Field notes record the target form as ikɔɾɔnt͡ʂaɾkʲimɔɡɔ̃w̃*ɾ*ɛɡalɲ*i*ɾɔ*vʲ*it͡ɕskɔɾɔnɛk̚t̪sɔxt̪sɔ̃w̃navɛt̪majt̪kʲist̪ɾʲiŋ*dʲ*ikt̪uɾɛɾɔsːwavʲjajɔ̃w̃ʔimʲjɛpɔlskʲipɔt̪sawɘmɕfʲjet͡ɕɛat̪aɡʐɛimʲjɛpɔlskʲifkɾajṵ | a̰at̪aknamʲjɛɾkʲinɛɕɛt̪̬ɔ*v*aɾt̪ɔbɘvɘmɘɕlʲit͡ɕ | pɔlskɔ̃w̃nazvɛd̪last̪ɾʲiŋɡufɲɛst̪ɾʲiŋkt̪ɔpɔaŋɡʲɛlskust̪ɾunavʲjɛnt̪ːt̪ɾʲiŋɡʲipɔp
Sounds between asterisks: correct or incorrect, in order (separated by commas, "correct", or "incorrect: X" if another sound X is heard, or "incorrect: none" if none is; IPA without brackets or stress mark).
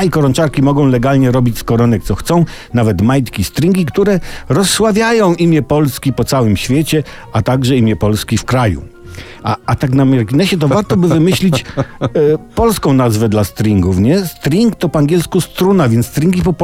incorrect: l, incorrect: ɛ, incorrect: bʲ, incorrect: ɡʲ, correct